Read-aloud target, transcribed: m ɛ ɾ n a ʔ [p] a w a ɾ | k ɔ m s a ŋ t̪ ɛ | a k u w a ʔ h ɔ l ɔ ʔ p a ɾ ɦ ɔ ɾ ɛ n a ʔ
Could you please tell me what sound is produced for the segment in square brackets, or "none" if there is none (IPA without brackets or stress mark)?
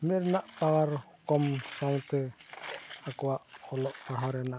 p